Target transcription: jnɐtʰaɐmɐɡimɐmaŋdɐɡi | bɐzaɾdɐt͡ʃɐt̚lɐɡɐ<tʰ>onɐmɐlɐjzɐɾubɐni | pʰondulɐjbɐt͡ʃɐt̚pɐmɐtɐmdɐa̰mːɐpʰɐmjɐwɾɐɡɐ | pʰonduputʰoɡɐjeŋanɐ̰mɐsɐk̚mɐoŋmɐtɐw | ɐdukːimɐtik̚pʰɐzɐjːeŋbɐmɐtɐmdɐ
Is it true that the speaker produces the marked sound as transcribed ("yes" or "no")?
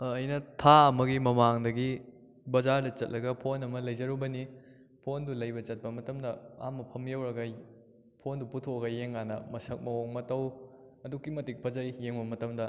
no